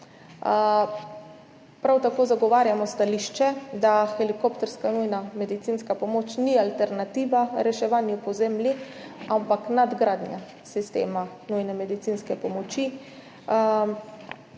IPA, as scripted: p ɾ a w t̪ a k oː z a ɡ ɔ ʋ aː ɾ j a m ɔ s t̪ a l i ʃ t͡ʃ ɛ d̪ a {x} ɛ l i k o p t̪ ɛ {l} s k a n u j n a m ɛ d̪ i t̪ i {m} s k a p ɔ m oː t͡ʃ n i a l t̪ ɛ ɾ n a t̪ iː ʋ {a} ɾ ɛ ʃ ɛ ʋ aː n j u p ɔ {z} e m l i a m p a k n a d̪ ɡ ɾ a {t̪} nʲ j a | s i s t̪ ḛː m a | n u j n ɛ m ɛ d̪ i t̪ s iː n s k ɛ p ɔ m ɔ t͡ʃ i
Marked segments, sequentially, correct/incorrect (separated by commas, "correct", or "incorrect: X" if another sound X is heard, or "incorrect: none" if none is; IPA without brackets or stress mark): correct, incorrect: ɾ, incorrect: n, correct, correct, incorrect: d̪